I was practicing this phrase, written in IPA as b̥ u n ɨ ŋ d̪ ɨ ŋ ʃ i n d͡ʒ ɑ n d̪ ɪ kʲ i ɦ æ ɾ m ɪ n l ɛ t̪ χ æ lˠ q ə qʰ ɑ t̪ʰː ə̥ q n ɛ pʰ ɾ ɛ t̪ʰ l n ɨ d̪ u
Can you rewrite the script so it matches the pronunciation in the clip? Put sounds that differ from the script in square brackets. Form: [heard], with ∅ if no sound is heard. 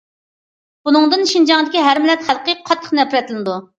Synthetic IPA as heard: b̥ u n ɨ ŋ d̪ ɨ [n] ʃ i n d͡ʒ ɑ [ŋ] d̪ ɪ kʲ i ɦ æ ɾ m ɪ [∅] l ɛ t̪ χ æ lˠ q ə qʰ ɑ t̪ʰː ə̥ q n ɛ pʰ ɾ ɛ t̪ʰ l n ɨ d̪ u